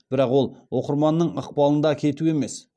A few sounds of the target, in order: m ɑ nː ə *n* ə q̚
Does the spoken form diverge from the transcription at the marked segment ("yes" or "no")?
yes